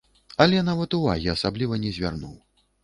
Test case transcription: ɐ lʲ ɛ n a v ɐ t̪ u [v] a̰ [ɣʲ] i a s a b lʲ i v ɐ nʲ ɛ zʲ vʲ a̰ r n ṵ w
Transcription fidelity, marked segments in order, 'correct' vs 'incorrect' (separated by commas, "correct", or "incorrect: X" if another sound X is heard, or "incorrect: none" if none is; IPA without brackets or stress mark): correct, correct